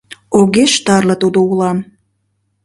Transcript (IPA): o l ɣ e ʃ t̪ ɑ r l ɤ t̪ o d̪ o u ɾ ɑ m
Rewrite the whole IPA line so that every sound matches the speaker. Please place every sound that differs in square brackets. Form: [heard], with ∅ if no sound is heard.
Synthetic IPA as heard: o [∅] ɣ e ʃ t̪ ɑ r l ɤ t̪ [u] d̪ o u [l] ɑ m